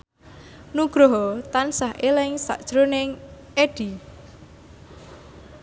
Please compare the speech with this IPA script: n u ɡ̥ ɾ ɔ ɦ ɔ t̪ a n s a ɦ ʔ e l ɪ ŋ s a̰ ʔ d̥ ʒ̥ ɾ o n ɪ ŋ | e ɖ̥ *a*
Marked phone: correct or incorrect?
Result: incorrect